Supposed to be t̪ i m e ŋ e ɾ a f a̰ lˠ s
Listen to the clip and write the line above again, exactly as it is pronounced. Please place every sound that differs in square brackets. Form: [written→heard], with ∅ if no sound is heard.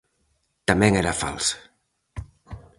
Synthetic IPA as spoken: t̪ [i→a] m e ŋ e ɾ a f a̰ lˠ s